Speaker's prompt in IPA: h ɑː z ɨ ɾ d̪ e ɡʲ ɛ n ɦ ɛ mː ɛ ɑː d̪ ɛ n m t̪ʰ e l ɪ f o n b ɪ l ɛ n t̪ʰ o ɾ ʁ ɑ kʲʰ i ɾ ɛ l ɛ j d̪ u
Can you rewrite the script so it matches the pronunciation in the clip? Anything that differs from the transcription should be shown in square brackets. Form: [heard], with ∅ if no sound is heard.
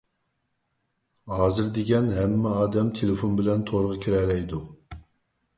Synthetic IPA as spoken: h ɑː z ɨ ɾ d̪ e ɡʲ ɛ n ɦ ɛ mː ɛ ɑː d̪ ɛ [∅] m t̪ʰ e l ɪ f o n b ɪ l ɛ n t̪ʰ o ɾ ʁ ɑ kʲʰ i ɾ ɛ l ɛ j d̪ u